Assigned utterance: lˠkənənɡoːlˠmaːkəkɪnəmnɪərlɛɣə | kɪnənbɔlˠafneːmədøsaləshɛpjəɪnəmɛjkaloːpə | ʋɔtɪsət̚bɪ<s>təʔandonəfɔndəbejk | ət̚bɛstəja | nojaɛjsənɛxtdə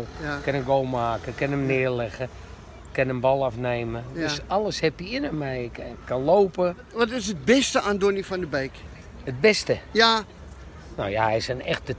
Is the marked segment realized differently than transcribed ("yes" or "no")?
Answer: no